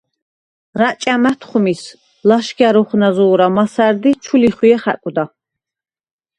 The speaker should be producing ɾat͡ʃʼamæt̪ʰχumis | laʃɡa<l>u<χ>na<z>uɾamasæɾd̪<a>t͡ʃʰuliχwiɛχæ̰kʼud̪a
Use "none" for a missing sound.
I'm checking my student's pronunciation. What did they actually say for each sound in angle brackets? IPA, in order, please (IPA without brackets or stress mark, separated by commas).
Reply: ɾ, χ, z, i